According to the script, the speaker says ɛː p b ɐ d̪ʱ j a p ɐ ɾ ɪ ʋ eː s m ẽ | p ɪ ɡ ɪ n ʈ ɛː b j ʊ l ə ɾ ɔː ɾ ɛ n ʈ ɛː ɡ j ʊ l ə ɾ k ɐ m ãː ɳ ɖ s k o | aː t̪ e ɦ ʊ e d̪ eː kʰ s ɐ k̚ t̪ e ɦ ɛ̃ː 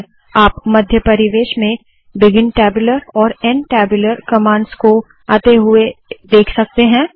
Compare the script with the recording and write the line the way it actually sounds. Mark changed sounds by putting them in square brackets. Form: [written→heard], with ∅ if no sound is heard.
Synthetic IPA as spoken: [ɛː→aː] p [b→m] ɐ d̪ʱ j [a→ə] p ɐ ɾ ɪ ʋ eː [s→ʃ] m ẽ | [p→b] ɪ ɡ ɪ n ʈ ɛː b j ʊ l ə ɾ ɔː ɾ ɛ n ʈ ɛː [ɡ→b] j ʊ l ə ɾ k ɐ m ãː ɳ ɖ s k o | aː t̪ e ɦ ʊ e d̪ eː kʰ s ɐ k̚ t̪ e ɦ ɛ̃ː